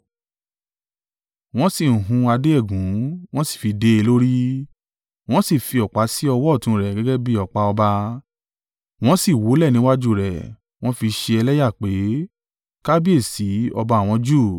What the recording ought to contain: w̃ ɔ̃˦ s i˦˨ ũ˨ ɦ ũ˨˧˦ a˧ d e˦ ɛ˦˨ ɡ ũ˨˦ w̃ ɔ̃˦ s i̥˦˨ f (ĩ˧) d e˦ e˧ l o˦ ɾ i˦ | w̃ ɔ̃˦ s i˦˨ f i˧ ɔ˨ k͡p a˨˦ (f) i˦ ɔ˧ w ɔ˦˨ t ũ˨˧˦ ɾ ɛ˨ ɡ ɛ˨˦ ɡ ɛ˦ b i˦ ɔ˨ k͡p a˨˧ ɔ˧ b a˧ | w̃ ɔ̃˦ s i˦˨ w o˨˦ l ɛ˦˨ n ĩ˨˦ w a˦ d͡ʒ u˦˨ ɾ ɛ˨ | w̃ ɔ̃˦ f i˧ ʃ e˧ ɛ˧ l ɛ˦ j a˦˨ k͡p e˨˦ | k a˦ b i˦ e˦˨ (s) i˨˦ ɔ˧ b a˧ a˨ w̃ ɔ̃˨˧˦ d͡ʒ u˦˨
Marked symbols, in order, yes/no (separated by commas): no, no, yes